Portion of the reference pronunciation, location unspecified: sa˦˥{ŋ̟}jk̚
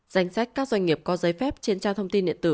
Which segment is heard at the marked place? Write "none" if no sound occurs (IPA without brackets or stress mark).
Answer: none